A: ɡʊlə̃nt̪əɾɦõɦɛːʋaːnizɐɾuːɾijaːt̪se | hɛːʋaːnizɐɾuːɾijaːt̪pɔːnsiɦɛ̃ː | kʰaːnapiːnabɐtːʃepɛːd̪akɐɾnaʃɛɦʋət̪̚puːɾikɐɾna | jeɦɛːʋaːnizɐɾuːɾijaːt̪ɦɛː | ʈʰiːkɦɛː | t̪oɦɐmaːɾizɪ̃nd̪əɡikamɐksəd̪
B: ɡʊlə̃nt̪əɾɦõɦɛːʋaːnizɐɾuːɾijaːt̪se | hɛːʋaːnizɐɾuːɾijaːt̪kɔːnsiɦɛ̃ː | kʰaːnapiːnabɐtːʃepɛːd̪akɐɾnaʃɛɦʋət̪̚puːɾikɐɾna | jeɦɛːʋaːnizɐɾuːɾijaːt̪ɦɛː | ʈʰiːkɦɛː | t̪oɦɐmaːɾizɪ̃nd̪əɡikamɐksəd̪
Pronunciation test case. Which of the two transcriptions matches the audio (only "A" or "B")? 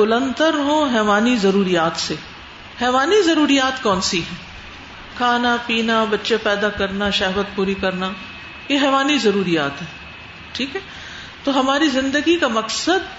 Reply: B